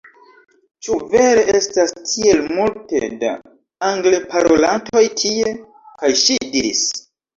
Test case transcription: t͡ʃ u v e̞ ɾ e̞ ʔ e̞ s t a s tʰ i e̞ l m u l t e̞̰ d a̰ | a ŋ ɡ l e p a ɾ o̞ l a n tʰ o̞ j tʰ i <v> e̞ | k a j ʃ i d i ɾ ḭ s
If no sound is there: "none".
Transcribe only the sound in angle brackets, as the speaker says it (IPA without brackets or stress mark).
none